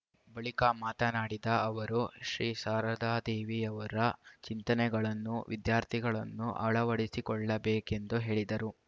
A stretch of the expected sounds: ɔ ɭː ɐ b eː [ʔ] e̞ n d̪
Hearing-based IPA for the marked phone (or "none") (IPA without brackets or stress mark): k